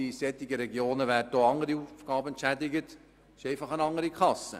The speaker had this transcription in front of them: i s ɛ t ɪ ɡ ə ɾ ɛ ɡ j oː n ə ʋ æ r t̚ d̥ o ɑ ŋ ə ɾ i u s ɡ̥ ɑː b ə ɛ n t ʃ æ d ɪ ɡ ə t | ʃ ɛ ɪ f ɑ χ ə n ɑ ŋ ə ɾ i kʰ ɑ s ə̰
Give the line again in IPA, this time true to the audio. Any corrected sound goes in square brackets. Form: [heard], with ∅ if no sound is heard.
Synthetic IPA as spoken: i s ɛ t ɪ ɡ ə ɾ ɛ ɡ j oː n ə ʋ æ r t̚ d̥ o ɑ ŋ ə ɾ i u [f] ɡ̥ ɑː b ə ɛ n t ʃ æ d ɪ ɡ ə t | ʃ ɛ ɪ f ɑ χ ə n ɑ ŋ ə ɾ i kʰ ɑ s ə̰